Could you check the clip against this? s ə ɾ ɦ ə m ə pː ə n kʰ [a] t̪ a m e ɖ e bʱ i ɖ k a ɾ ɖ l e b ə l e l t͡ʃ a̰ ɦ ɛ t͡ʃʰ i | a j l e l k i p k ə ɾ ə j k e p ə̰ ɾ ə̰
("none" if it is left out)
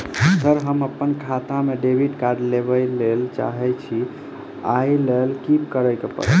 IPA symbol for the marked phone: a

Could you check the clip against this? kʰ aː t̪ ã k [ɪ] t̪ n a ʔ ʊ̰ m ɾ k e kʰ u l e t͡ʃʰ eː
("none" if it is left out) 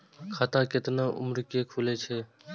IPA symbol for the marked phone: ɪ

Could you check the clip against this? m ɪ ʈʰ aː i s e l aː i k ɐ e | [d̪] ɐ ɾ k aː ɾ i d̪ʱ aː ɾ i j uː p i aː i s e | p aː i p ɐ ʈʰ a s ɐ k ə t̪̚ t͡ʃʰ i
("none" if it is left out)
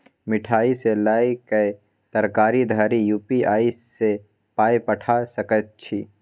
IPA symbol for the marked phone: t̪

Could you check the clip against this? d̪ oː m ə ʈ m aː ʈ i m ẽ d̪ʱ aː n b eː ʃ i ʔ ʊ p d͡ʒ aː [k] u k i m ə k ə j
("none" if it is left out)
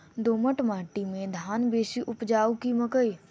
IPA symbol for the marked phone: none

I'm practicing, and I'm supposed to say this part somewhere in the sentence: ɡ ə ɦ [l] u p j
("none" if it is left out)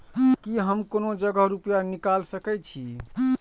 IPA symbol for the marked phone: ɾ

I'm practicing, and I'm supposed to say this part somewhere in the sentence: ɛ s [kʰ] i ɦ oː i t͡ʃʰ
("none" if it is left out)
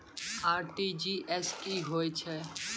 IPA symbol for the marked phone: k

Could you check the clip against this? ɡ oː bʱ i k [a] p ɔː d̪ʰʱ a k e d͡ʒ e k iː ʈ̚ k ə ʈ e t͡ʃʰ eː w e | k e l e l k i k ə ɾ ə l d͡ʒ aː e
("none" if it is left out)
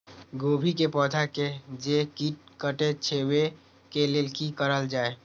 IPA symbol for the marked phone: e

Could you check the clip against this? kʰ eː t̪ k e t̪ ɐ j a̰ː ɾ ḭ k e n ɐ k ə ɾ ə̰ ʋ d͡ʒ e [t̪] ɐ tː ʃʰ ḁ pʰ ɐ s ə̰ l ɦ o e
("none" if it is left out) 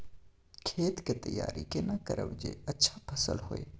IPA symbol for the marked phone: none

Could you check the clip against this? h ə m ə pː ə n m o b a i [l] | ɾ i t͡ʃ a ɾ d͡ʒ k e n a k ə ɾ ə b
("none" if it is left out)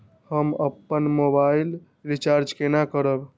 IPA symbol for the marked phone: l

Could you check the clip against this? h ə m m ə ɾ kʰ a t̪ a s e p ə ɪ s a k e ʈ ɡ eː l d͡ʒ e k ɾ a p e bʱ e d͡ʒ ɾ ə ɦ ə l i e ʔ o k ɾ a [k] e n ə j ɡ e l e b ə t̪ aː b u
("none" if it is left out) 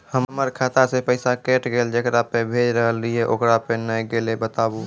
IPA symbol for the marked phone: p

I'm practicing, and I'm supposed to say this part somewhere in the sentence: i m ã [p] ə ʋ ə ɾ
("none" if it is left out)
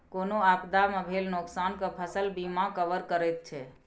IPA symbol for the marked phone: k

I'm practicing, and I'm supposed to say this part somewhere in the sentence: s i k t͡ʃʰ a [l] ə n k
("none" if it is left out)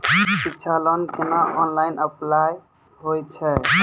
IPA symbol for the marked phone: l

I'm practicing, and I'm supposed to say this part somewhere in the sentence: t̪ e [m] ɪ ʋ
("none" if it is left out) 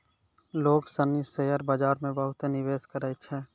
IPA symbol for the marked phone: n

